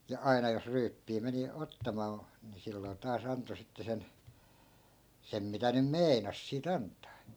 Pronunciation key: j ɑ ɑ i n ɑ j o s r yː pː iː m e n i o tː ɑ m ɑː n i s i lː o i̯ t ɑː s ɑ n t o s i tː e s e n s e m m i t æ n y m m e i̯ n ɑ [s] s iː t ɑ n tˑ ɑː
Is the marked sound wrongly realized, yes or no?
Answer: no